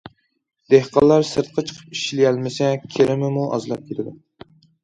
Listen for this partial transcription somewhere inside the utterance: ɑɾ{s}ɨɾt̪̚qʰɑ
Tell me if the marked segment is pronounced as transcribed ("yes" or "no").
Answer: yes